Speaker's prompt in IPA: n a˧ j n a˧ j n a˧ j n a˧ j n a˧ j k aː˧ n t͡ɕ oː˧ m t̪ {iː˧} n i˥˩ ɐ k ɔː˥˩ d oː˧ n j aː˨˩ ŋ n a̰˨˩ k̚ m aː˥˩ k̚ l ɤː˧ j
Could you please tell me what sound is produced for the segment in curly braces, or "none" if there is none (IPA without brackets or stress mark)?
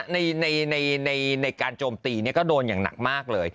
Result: iː˧